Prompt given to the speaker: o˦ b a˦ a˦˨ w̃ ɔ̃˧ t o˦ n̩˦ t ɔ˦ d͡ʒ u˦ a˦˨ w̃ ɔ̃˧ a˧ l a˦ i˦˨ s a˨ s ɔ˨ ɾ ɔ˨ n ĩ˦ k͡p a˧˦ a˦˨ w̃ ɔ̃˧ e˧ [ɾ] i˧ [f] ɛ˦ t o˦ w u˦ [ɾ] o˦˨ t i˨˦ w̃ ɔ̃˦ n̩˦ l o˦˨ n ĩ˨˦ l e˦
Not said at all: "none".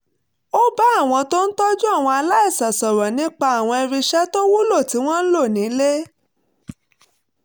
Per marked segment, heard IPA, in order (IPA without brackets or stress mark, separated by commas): ɾ, ʃ, l